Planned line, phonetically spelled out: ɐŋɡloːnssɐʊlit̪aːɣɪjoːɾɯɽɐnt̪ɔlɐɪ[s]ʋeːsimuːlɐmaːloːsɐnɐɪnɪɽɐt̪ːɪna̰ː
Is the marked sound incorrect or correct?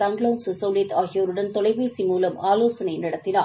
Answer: incorrect